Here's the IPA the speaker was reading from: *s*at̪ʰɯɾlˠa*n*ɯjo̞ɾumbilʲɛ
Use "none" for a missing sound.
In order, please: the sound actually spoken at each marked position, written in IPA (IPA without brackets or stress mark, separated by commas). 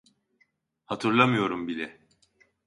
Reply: h, m